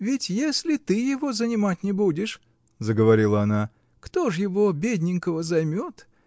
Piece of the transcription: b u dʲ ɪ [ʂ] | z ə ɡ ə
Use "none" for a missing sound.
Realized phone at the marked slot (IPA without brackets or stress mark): ʂ